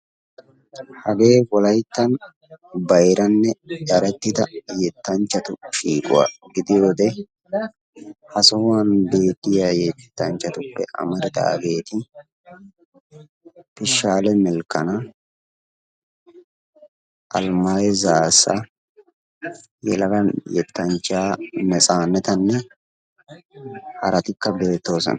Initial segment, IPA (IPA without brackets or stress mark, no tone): h